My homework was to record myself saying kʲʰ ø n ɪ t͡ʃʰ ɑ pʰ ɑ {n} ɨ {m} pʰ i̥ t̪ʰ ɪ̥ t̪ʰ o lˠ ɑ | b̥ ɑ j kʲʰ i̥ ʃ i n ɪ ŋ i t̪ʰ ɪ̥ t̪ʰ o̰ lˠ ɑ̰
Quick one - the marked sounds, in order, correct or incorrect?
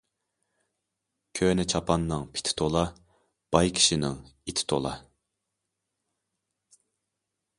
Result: incorrect, incorrect

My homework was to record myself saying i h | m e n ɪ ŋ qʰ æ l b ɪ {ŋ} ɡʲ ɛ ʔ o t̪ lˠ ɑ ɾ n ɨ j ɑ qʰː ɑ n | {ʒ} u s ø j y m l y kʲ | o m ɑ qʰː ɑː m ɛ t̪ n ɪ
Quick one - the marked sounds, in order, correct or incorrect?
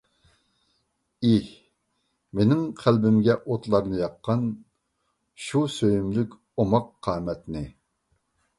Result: incorrect, incorrect

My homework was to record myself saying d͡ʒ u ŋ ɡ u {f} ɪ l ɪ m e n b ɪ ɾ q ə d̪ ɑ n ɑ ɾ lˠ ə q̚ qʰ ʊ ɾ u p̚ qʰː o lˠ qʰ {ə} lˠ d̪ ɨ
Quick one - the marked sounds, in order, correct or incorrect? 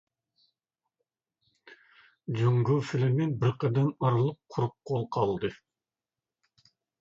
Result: correct, incorrect

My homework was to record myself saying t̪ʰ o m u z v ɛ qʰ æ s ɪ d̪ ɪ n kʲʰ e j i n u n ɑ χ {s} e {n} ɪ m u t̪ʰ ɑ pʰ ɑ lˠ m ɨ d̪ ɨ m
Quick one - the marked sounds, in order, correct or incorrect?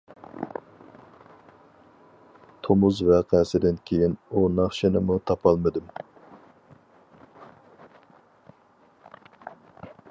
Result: incorrect, correct

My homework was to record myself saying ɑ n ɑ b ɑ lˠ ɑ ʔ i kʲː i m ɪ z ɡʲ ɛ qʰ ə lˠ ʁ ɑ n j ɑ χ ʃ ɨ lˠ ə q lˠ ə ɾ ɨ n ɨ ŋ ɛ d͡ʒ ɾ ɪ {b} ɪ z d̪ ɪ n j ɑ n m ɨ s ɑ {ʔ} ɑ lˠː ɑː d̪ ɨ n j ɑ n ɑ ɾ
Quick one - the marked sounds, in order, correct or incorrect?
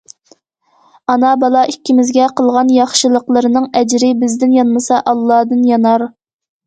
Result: correct, correct

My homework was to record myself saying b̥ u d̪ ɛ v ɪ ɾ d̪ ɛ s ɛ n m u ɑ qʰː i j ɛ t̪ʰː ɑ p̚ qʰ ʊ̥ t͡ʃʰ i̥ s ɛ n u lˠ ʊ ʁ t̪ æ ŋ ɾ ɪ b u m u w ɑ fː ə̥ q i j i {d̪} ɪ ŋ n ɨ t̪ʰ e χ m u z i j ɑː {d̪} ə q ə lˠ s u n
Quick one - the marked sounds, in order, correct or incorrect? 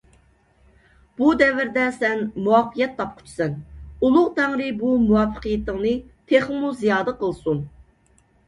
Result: incorrect, correct

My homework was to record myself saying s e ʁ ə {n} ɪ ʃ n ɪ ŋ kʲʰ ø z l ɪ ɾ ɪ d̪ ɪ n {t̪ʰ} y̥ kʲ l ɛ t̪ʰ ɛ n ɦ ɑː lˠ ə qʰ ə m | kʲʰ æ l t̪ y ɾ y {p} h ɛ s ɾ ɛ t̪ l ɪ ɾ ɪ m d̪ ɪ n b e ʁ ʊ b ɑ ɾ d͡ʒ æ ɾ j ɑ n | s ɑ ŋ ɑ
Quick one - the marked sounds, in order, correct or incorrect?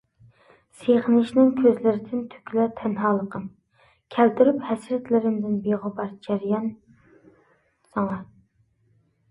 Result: correct, correct, correct

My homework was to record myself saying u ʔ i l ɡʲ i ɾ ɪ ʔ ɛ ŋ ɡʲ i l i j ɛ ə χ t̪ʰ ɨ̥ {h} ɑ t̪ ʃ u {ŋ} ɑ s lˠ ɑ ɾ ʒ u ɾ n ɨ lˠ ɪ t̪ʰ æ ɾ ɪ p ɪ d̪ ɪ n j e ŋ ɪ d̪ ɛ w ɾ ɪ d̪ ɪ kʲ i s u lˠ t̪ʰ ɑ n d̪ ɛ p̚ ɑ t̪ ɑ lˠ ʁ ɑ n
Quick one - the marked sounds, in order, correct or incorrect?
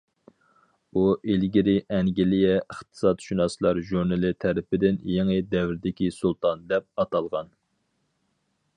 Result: incorrect, incorrect

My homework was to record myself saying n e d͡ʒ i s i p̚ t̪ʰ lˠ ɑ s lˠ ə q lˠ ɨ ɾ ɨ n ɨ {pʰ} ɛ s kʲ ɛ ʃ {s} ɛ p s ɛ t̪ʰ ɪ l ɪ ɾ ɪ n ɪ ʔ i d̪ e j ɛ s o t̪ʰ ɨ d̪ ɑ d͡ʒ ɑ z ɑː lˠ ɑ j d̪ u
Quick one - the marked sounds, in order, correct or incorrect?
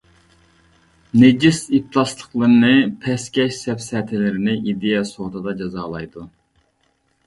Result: correct, correct

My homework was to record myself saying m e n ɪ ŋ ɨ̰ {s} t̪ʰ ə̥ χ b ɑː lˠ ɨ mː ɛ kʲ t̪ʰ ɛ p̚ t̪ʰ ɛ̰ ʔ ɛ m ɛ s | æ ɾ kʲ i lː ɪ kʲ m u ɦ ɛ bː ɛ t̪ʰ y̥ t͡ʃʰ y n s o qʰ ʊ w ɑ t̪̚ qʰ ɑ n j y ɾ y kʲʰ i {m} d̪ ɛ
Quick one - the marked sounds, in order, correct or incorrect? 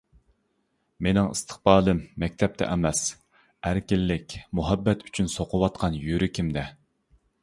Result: correct, correct

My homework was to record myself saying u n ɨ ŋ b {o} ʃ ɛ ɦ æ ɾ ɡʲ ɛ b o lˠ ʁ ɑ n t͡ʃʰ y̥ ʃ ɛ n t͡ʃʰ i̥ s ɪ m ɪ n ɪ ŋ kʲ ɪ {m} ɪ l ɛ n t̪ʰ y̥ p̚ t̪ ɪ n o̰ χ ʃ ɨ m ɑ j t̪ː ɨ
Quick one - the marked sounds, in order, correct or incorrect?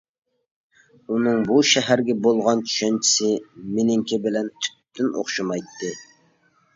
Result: incorrect, incorrect

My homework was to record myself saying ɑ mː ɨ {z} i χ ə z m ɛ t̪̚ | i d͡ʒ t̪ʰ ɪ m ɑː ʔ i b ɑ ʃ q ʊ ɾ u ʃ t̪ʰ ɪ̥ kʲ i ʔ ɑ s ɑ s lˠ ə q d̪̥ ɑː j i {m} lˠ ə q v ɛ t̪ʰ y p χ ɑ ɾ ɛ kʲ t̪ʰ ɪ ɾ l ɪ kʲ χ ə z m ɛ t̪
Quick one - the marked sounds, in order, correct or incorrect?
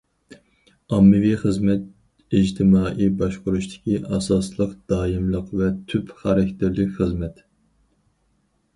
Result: incorrect, correct

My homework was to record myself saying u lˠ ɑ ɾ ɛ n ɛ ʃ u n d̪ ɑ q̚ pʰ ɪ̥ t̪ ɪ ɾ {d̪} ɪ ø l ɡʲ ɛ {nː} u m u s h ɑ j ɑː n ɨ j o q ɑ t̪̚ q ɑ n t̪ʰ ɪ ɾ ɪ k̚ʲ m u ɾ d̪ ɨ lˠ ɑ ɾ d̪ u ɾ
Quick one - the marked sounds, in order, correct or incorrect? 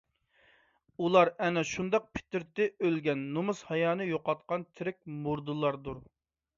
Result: incorrect, correct

